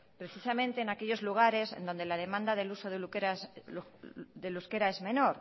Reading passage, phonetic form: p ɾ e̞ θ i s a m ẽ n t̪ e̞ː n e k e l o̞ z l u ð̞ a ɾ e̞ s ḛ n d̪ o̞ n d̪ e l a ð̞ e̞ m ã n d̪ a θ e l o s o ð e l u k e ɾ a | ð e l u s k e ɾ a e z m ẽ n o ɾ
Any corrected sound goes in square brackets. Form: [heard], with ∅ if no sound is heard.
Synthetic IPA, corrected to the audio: p ɾ e̞ θ i s a m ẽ n t̪ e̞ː n [a] k e [ʎ] o̞ z l u [ɣ̞] a ɾ e̞ s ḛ n d̪ o̞ n d̪ e l a ð̞ e̞ m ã n d̪ a [ð] e l [u] s o ð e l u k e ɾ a | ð e l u s k e ɾ a e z m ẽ n o ɾ